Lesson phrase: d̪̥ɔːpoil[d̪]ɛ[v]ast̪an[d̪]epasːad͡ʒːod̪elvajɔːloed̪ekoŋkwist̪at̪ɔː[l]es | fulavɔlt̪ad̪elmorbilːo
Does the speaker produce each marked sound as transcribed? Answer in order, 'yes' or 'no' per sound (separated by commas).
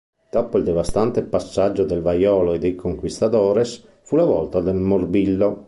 yes, yes, no, no